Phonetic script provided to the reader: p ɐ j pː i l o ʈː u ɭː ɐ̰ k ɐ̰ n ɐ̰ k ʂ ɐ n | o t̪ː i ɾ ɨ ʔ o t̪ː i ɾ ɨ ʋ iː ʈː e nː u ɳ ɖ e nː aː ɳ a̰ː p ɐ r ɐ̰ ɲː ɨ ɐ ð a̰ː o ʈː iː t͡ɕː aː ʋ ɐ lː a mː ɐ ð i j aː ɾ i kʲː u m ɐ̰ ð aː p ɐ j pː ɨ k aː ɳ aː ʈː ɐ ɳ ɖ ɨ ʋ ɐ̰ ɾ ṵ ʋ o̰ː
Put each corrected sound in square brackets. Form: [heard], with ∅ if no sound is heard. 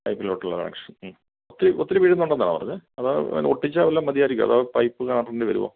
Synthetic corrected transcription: p ɐ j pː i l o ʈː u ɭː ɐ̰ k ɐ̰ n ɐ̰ k ʂ ɐ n | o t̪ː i ɾ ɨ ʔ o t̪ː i ɾ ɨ ʋ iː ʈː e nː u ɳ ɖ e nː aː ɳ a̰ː p ɐ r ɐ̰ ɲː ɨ ɐ ð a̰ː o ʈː [i] t͡ɕː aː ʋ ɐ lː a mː ɐ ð i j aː ɾ i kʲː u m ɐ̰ ð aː p ɐ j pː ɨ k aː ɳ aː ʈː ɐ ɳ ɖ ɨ ʋ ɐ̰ ɾ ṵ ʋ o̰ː